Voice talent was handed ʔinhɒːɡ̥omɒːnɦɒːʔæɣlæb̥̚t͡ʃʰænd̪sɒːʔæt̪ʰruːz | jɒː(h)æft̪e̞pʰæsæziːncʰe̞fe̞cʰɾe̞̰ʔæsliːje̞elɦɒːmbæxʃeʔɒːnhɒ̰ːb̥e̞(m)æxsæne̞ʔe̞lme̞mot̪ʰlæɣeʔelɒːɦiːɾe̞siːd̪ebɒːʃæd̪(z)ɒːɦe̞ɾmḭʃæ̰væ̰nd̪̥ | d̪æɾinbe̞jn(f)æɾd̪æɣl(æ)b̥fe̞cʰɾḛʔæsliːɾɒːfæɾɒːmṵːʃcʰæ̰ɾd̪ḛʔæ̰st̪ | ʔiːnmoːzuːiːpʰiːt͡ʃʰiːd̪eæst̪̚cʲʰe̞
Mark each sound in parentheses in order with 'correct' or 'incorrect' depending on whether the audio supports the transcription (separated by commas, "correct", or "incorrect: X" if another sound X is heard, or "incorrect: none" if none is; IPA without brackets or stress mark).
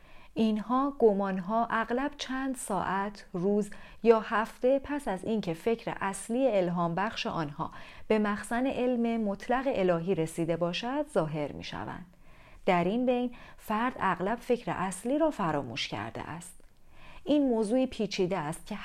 correct, correct, correct, correct, correct